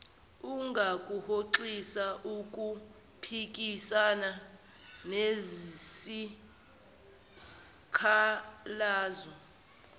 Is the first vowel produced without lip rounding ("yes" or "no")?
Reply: no